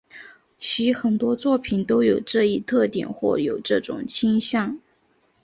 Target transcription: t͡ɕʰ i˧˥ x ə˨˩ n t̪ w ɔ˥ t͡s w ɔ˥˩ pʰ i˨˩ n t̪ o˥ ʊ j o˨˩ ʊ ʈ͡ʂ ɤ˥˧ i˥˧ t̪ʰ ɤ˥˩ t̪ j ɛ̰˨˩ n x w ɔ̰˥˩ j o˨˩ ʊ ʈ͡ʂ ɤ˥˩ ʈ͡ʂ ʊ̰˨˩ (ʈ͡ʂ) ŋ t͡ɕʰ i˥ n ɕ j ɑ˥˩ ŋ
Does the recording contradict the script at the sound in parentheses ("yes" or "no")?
yes